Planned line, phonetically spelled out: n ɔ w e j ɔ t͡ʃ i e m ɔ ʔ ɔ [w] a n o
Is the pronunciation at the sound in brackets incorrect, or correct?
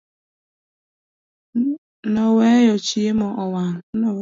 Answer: correct